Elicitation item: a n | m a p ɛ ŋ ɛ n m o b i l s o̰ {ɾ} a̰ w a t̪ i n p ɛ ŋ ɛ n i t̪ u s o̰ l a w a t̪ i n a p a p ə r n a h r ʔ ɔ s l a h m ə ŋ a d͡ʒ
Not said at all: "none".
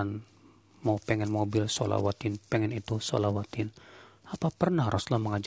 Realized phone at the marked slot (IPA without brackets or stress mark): l